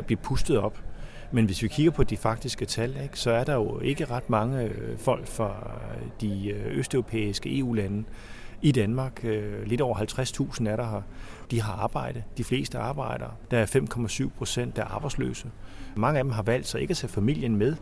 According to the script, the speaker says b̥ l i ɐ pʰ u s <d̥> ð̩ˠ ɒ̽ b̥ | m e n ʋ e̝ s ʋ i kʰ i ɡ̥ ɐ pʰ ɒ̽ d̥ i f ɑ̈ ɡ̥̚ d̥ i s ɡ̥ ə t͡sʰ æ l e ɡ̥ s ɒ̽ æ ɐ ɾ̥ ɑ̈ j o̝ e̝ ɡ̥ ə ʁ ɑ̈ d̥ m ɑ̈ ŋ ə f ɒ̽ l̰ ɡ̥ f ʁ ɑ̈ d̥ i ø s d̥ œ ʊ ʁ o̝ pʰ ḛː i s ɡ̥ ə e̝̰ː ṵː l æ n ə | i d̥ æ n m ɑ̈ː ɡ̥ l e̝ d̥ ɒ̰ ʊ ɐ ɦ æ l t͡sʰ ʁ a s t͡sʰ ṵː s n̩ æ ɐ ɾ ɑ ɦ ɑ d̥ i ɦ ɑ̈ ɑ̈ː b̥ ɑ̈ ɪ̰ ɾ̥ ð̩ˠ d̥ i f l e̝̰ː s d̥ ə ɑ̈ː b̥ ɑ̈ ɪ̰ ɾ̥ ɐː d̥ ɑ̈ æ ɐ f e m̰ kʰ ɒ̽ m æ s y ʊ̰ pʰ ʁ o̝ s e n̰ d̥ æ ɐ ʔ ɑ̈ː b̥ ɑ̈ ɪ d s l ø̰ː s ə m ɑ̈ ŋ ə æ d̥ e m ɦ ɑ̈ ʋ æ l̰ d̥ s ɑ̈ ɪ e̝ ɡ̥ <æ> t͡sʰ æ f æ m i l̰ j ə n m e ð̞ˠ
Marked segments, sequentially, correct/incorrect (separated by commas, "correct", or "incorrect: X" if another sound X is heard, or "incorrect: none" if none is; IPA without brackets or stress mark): correct, correct